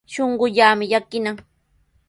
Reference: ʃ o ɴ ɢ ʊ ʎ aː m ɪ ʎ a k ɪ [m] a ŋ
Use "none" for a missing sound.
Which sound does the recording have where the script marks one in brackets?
n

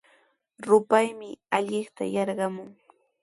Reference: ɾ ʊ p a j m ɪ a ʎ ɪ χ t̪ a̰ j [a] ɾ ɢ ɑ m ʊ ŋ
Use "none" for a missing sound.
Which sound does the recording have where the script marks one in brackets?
ɑ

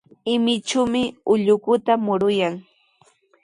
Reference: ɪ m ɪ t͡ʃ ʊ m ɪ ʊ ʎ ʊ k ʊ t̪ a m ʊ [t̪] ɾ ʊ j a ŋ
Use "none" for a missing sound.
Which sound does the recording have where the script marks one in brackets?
none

